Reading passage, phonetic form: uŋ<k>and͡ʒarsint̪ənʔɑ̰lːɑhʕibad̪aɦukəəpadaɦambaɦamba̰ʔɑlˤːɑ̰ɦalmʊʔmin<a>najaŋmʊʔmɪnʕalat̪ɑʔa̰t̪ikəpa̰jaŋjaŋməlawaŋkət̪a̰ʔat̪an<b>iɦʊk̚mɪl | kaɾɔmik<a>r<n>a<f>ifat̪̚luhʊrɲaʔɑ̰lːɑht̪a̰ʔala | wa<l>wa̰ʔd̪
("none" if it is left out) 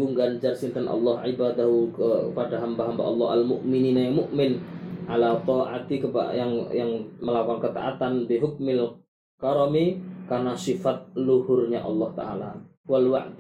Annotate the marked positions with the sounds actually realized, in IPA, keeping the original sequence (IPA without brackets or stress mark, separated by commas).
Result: ɡ, i, b, a, n, s, l